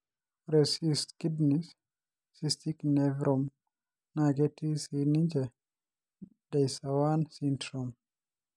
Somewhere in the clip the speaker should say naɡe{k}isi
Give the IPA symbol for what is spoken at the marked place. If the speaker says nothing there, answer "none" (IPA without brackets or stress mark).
t